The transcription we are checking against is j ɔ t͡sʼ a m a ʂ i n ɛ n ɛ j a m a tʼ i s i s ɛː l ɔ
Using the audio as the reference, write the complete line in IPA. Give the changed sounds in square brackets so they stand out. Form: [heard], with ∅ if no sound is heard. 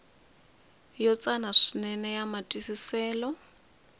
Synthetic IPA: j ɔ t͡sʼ a [n] a ʂ i n ɛ n ɛ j a m a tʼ i s i s ɛː l ɔ